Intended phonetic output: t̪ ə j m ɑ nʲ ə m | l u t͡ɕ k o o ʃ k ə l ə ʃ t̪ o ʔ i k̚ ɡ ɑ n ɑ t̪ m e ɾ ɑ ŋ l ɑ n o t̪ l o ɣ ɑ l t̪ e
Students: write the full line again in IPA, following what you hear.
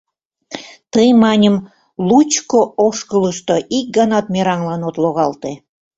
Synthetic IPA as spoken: t̪ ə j m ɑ nʲ ə m | l u t͡ɕ k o o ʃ k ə l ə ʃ t̪ o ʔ i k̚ ɡ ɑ n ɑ t̪ m e ɾ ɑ ŋ l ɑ n o t̪ l o ɣ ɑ l t̪ e